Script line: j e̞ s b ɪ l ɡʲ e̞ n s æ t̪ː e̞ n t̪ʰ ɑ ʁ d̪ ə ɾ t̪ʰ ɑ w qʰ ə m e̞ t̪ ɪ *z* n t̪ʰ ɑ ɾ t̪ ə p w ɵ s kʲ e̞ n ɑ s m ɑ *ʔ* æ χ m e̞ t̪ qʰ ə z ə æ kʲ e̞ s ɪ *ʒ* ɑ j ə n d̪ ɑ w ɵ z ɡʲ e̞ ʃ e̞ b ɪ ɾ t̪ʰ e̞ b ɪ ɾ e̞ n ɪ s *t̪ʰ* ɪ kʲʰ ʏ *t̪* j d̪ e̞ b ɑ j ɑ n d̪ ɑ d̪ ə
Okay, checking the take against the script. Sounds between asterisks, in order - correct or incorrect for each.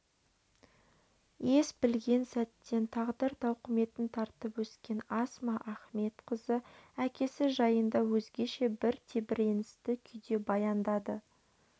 incorrect: none, correct, correct, incorrect: t̪, incorrect: none

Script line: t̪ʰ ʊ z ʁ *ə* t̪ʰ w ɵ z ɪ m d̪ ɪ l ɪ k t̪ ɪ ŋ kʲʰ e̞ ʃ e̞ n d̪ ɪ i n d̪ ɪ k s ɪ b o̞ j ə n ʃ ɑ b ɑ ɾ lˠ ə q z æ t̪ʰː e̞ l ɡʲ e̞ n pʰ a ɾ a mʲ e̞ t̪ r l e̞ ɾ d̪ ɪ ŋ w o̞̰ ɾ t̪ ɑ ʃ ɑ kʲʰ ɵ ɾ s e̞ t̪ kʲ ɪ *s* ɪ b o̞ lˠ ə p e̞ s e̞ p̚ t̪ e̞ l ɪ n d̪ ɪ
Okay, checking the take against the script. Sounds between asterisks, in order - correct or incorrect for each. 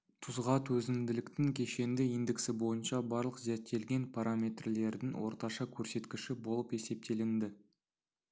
incorrect: ɑ, incorrect: ʃ

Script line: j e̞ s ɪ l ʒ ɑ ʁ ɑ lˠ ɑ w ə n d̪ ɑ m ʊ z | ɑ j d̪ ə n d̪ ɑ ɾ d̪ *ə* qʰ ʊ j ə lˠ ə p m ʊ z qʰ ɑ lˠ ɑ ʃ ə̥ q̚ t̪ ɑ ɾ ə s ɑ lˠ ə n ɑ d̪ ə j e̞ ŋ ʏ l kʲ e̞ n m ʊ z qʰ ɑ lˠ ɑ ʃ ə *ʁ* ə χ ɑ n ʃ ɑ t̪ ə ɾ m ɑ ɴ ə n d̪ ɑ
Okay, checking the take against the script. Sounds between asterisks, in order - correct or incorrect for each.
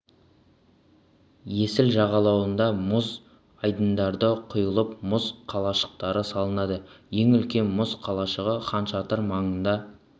correct, correct

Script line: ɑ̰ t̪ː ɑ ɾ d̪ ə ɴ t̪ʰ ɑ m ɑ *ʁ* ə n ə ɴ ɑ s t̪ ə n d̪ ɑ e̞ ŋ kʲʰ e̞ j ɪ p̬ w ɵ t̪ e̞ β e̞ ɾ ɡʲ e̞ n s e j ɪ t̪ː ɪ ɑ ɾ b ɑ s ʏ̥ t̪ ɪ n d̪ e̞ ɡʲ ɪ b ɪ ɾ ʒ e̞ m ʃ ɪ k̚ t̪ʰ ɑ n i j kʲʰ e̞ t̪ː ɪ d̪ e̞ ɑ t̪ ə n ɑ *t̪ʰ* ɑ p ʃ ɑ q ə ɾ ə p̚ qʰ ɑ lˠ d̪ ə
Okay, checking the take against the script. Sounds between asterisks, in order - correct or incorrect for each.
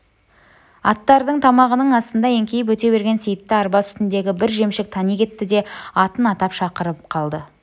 correct, incorrect: t̪

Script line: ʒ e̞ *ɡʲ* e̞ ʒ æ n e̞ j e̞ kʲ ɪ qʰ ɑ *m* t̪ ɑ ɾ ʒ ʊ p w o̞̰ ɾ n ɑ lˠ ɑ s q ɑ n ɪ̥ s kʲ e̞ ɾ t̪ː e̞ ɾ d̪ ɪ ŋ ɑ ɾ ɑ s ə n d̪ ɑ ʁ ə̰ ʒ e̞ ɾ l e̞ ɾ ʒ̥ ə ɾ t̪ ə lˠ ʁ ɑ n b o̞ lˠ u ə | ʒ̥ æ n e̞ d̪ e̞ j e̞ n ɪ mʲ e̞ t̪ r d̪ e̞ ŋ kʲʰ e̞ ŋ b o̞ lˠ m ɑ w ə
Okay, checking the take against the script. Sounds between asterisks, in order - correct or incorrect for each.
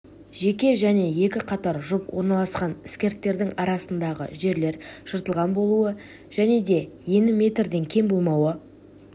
incorrect: kʲ, incorrect: none

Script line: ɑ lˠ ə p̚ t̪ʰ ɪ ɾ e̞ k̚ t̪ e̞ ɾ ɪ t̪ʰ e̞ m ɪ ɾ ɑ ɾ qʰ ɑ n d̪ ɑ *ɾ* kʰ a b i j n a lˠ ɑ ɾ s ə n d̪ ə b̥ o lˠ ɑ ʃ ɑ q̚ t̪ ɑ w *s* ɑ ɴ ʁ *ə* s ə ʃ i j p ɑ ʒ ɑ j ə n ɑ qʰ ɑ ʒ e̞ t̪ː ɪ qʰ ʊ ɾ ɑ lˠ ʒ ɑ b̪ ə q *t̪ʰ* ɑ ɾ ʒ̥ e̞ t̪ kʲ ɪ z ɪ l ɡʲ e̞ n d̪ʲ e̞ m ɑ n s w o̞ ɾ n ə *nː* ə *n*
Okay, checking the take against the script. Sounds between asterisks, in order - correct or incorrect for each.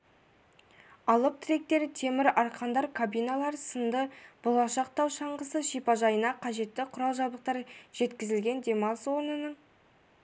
correct, incorrect: ʃ, correct, incorrect: t̪, incorrect: n, incorrect: ɴ

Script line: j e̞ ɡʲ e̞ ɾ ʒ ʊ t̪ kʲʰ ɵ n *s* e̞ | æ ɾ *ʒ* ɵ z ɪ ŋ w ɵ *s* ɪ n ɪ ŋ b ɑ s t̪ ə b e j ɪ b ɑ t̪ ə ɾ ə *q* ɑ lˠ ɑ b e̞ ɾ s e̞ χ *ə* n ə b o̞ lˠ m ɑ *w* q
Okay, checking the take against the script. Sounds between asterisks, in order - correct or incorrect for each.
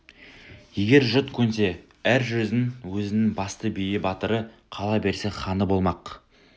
correct, correct, incorrect: z, incorrect: qʰ, incorrect: ɑ, incorrect: none

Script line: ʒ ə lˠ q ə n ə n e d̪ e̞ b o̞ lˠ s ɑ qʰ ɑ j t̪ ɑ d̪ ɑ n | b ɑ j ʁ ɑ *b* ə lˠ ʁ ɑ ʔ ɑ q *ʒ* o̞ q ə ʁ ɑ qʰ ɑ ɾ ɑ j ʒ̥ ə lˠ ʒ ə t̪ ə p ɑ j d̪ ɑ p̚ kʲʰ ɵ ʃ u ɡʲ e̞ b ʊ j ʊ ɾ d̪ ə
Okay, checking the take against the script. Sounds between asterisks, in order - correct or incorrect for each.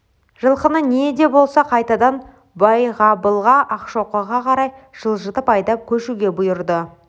correct, incorrect: ʃ

